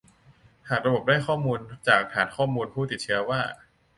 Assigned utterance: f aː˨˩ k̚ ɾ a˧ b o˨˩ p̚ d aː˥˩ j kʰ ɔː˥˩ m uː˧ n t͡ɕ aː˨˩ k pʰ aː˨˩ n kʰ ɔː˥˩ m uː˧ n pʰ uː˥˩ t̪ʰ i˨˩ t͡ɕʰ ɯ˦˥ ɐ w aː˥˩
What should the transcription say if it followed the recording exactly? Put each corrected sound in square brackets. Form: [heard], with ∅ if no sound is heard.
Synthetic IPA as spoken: [h] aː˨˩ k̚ ɾ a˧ b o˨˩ p̚ d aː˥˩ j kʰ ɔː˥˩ m uː˧ n t͡ɕ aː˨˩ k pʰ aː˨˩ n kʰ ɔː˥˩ m uː˧ n pʰ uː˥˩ [t̪] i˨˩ t͡ɕʰ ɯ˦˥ ɐ w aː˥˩